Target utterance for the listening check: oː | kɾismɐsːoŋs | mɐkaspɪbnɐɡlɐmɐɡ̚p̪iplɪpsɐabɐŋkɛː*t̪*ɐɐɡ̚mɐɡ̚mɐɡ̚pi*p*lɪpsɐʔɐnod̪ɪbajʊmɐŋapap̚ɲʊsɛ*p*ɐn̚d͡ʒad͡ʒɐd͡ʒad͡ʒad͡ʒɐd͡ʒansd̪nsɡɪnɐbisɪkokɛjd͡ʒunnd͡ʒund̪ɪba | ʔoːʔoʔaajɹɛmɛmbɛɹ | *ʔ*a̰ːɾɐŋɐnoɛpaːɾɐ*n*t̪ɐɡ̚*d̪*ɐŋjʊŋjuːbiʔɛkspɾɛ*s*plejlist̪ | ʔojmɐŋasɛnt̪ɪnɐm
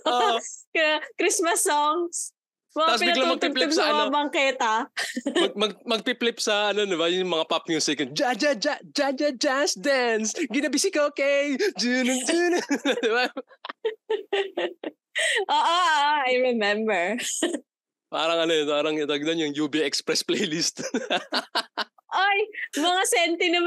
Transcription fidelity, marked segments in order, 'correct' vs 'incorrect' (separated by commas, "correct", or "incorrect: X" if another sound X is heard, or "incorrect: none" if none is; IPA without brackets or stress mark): correct, correct, incorrect: k, incorrect: p, incorrect: ŋ, correct, correct